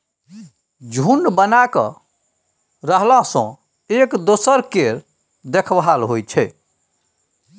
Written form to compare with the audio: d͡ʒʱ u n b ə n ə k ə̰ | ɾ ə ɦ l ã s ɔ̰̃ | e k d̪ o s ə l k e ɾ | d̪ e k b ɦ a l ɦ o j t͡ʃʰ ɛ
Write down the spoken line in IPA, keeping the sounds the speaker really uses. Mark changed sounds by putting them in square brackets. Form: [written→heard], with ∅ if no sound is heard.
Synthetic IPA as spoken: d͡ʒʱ u n b ə n [ə→a] k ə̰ | ɾ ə ɦ l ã s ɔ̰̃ | e k d̪ o s ə [l→ɾ] k e ɾ | d̪ e [k→kʰ] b ɦ a l ɦ o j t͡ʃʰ ɛ